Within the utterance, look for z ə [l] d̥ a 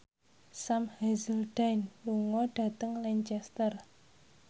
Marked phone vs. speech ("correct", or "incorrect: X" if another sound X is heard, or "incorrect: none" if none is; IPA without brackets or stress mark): correct